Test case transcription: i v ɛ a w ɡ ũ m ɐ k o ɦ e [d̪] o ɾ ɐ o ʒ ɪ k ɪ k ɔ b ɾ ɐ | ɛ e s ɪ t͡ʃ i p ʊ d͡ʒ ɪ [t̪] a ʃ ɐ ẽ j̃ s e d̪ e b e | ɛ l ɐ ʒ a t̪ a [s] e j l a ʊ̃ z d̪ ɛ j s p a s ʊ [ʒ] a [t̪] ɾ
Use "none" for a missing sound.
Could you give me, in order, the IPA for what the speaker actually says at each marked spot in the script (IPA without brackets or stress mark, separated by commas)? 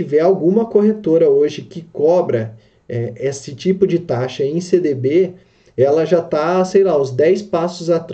t̪, t̪, s, z, t̪